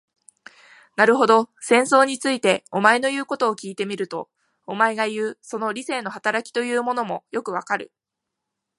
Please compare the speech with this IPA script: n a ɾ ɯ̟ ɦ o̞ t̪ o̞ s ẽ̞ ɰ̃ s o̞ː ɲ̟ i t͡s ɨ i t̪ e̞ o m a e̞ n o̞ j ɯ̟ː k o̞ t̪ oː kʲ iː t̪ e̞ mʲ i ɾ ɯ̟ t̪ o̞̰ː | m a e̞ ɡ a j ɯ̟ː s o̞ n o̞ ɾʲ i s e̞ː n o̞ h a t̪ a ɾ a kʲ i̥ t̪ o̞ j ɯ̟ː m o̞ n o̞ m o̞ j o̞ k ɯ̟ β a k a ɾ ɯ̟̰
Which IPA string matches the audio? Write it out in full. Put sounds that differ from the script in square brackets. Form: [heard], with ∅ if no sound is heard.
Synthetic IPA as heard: n a ɾ ɯ̟ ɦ o̞ [d̪] o̞ s ẽ̞ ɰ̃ s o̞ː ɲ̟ i t͡s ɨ i t̪ e̞ o m a e̞ n o̞ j ɯ̟ː k o̞ t̪ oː kʲ iː t̪ e̞ mʲ i ɾ ɯ̟ t̪ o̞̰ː | m a e̞ ɡ a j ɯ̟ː s o̞ n o̞ ɾʲ i s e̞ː n o̞ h a t̪ a ɾ a kʲ i̥ t̪ o̞ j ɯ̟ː m o̞ n o̞ m o̞ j o̞ k ɯ̟ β a k a ɾ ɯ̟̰